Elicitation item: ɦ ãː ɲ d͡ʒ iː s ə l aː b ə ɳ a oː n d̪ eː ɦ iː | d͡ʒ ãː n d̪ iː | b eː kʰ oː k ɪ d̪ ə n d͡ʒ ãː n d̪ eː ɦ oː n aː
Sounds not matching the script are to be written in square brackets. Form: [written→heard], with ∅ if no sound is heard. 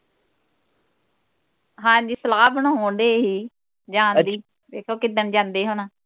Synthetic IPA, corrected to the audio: ɦ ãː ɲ d͡ʒ iː s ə l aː b ə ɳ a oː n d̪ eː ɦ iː | d͡ʒ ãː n d̪ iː | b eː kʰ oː k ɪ d̪ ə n d͡ʒ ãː n d̪ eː ɦ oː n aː